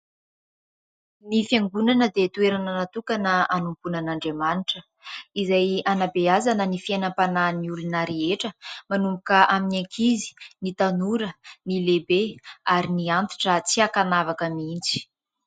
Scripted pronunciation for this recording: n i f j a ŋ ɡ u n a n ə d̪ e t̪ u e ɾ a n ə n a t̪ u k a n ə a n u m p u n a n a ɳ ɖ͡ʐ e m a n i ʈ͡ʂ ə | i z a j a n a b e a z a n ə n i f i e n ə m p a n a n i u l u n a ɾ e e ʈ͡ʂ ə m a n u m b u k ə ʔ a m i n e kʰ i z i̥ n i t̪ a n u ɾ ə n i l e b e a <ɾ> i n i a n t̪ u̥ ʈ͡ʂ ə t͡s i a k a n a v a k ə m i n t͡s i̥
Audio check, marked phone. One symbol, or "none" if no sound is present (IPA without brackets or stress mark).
ɾ